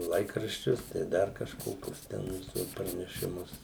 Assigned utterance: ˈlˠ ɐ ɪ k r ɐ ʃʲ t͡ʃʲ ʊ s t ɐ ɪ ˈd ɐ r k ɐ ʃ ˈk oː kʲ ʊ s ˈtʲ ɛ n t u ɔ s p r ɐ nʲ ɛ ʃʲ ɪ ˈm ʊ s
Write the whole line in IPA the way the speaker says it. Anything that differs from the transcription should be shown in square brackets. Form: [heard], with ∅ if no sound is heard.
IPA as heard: ˈlˠ ɐ ɪ k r ɐ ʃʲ t͡ʃʲ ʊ s t ɐ ɪ ˈd ɐ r k ɐ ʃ ˈk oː kʲ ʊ s ˈtʲ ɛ n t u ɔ s p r ɐ nʲ ɛ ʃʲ ɪ ˈm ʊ s